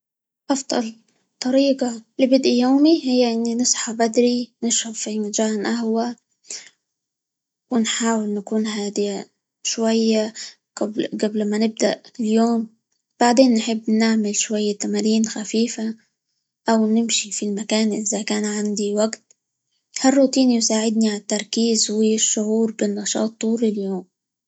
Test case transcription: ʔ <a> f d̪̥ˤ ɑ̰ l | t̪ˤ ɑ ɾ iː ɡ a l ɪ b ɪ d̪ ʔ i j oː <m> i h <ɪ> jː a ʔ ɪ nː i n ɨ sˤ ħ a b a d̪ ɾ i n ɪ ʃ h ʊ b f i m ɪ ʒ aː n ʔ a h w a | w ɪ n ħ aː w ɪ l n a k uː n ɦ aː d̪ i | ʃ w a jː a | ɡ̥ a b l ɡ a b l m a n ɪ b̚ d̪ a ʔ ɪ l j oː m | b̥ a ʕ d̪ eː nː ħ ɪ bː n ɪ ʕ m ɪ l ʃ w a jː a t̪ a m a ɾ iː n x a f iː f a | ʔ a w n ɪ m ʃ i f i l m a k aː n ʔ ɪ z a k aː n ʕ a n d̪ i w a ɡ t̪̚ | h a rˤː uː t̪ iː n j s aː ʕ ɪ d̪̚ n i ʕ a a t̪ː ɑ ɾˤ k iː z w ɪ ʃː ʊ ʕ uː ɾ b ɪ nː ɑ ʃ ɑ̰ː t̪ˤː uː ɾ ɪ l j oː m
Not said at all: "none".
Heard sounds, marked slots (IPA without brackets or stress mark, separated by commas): ɑ, m, ɪ